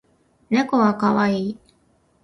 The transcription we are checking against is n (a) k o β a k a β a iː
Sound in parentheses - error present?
yes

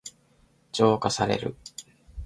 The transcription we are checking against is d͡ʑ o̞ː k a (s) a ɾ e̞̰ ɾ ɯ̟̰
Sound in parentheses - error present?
no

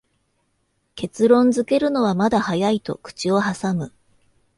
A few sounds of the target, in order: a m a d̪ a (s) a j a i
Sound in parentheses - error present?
yes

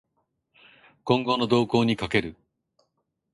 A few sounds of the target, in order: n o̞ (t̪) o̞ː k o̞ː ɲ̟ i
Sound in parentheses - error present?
yes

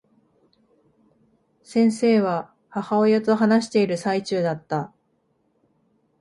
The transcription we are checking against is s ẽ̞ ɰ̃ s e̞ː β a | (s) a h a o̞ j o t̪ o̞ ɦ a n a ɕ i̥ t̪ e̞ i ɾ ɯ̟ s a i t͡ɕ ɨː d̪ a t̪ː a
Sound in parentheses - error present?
yes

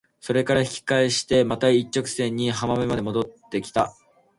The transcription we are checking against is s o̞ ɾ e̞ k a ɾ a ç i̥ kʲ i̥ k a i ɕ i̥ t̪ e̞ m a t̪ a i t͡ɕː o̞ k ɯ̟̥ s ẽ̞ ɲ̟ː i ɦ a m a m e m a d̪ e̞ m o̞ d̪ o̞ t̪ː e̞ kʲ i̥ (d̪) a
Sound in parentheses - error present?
yes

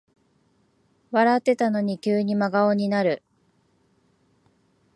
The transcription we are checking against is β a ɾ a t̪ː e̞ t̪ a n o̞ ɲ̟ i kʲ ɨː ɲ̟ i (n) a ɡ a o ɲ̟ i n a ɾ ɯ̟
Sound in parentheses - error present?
yes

